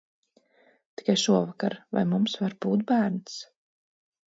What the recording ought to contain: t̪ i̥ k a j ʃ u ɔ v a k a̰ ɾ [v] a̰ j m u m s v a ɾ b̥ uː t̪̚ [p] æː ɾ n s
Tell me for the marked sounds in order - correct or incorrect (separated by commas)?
correct, incorrect